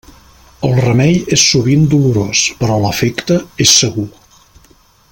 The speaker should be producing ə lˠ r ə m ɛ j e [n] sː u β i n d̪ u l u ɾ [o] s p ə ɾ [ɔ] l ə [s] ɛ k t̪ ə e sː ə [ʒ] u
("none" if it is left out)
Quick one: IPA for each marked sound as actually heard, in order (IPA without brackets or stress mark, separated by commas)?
none, o, ɔ, f, ɣ